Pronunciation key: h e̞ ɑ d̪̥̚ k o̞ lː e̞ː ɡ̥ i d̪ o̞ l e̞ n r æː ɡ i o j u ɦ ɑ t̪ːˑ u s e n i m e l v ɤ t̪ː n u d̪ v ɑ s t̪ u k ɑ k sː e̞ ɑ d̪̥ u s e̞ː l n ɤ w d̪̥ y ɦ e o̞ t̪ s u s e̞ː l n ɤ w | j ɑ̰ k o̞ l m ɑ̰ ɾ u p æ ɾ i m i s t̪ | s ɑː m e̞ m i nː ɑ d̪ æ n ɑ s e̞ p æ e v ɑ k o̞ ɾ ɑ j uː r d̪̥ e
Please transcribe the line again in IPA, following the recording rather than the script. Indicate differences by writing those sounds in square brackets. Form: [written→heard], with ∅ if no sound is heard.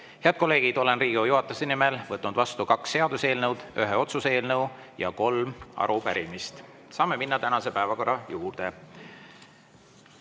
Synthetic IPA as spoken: h e̞ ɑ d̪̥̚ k o̞ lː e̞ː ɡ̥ i d̪ o̞ l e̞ n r [æː→iː] ɡ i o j u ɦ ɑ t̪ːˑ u s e n i m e l v ɤ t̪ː n u d̪ v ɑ s t̪ u k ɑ k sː e̞ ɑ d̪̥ u s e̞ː l n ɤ w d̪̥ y ɦ e o̞ t̪ s u s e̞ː l n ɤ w | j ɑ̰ k o̞ l m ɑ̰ ɾ u p æ ɾ i m i s t̪ | s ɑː m e̞ m i nː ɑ [d̪→t̪] æ n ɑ s e̞ p æ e v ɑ k o̞ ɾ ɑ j uː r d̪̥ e